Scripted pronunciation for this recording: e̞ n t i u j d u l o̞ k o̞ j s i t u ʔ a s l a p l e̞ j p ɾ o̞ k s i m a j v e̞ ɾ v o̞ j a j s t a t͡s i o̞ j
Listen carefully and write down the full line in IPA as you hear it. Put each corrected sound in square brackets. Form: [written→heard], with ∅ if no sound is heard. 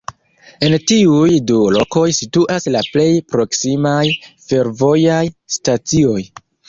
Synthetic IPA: e̞ n t i u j d u l o̞ k o̞ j s i t u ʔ a s l a p l e̞ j p ɾ o̞ k s i m a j [v→f] e̞ ɾ v o̞ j a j s t a t͡s i o̞ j